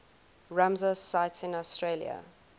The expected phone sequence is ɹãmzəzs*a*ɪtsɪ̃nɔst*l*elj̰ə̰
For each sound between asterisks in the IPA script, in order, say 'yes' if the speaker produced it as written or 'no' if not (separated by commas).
yes, no